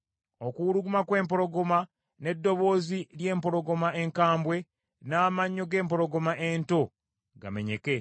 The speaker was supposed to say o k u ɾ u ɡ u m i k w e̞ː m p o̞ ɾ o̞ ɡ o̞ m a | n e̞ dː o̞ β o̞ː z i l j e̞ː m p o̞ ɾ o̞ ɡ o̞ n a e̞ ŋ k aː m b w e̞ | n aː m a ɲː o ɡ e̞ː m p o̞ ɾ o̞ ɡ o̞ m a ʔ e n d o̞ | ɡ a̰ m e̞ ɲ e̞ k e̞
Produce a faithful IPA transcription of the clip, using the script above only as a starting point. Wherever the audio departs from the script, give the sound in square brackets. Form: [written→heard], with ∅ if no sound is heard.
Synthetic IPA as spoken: o k u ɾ u ɡ u m [i→a] k w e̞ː m p o̞ ɾ o̞ ɡ o̞ m a | n e̞ dː o̞ β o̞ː z i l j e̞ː m p o̞ ɾ o̞ ɡ o̞ [n→m] a e̞ ŋ k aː m b w e̞ | n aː m a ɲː o ɡ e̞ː m p o̞ ɾ o̞ ɡ o̞ m a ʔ e n [d→t] o̞ | ɡ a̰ m e̞ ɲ e̞ k e̞